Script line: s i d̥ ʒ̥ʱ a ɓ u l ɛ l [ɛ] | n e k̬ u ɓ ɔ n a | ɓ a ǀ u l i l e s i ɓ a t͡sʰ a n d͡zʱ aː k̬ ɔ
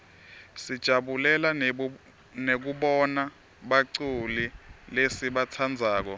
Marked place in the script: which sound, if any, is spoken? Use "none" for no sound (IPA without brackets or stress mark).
a